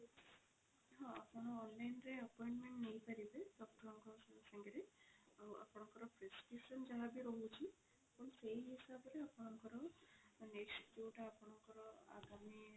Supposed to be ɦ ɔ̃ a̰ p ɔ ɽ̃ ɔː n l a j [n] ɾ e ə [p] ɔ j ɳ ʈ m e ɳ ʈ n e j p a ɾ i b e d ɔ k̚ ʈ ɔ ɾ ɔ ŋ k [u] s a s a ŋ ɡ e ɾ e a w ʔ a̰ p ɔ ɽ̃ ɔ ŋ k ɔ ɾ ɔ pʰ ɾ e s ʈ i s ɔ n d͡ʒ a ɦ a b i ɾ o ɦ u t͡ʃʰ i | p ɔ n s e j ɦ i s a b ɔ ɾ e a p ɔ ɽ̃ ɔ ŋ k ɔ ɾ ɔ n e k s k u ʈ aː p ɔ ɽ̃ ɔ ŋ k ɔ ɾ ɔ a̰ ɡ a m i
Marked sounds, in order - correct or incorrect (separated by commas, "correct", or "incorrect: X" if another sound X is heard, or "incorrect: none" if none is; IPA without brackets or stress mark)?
correct, correct, incorrect: ɔ